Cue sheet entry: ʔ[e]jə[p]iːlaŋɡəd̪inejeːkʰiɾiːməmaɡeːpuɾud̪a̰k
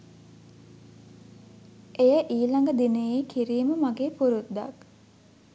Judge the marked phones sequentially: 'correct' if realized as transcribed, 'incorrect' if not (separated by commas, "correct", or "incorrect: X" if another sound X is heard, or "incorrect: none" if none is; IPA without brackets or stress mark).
correct, incorrect: ʔ